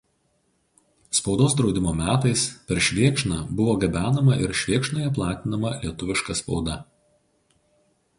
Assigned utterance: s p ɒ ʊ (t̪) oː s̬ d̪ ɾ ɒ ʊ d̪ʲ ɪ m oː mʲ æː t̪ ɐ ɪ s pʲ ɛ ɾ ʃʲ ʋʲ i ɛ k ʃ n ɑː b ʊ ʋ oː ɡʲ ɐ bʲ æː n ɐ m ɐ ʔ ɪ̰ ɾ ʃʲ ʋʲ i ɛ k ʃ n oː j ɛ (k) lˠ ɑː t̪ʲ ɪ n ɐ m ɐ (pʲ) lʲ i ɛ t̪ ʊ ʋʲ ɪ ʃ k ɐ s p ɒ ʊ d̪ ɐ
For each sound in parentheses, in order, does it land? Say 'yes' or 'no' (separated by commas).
no, no, no